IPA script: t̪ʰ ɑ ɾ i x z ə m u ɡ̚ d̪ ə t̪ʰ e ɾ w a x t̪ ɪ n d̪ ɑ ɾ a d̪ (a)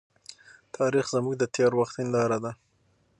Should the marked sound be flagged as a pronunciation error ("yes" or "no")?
no